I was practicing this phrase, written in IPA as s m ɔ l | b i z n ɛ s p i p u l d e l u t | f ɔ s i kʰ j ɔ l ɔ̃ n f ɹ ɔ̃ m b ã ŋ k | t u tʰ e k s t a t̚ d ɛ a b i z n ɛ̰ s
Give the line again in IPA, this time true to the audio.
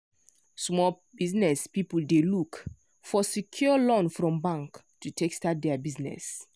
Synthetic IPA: s m ɔ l | b i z n ɛ s p i p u l d e l u k | f ɔ s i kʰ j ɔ l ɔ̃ n f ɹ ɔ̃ m b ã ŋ k | t u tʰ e k s t a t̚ d ɛ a b i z n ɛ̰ s